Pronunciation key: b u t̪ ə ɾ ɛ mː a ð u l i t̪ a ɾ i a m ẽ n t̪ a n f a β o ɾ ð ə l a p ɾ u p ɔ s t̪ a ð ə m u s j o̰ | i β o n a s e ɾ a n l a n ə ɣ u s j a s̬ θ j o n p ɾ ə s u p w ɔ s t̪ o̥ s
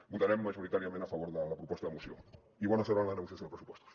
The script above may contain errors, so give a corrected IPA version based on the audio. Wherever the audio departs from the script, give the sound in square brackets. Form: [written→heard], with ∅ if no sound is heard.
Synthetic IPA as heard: b u t̪ [ə→a] ɾ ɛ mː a [ð→ʒ] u [l→ɾ] i t̪ a ɾ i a m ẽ n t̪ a [n→∅] f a β o ɾ ð ə l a p ɾ u p ɔ s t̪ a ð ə m u s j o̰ | i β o n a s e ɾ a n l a n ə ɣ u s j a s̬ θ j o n p ɾ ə s u p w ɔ s t̪ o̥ s